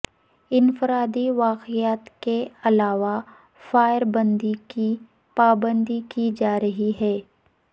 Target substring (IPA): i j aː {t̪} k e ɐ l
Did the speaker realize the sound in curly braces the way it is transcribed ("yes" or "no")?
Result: yes